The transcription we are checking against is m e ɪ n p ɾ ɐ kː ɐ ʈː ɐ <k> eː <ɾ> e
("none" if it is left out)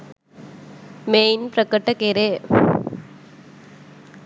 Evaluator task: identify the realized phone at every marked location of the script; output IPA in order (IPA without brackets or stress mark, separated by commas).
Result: k, ɾ